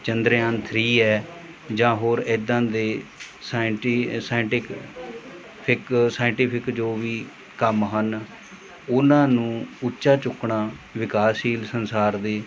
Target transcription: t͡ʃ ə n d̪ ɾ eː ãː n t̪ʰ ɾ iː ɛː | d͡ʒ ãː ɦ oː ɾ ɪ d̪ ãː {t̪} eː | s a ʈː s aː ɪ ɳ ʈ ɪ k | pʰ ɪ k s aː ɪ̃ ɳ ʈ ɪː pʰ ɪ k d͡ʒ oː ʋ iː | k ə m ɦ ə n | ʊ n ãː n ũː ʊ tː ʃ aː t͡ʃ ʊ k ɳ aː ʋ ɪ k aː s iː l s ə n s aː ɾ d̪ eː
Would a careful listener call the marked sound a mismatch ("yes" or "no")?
yes